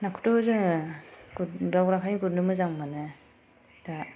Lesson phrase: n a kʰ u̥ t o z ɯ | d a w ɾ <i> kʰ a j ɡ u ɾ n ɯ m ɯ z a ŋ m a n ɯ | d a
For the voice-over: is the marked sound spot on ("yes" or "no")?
no